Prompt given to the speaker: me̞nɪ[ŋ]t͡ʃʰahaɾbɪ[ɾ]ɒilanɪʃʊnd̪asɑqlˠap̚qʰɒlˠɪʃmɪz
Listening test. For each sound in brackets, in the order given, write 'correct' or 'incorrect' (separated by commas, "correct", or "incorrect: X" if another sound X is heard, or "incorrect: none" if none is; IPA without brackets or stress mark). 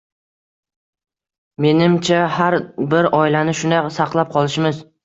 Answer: incorrect: m, correct